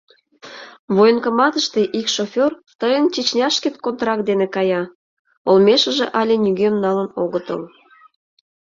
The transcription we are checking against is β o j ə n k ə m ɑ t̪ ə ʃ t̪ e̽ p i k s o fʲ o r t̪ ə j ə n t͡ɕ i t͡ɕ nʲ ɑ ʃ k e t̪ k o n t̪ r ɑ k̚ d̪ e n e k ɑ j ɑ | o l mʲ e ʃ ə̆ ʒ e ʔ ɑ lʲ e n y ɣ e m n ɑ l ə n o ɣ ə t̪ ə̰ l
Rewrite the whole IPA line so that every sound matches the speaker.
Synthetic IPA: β o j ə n k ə m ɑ t̪ ə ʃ t̪ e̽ ʔ i k ʃ o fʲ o r t̪ ə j ə n t͡ɕ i t͡ɕ nʲ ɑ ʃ k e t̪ k o n t̪ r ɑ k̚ d̪ e n e k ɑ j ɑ | o l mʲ e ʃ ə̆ ʒ e ʔ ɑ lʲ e n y ɣ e m n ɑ l ə n o ɣ ə t̪ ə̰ l